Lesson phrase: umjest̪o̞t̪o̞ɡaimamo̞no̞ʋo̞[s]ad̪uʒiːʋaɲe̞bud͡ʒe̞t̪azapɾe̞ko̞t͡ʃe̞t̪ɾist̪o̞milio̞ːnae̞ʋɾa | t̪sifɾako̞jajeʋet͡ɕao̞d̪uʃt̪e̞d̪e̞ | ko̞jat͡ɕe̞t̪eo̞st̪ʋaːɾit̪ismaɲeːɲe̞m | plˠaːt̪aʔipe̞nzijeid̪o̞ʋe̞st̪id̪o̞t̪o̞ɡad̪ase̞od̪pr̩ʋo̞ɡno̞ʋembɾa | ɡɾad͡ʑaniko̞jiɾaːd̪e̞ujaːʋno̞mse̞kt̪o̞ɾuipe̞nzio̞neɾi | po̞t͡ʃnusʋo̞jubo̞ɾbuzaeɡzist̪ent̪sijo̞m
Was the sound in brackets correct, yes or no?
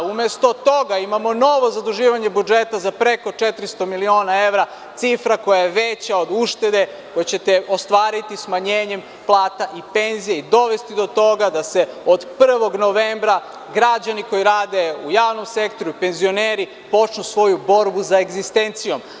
no